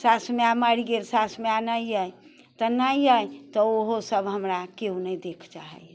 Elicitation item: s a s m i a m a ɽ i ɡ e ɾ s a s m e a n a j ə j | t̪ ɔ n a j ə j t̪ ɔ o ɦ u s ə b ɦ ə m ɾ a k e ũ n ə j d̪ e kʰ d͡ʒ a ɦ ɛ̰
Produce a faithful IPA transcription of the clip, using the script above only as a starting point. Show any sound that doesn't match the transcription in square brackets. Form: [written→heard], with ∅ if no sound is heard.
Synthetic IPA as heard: s a s m [i→e] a m a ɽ i ɡ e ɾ s a s m e a n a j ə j | t̪ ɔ n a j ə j t̪ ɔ o ɦ [u→o] s ə b ɦ ə m ɾ a k e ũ n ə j d̪ e kʰ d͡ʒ a ɦ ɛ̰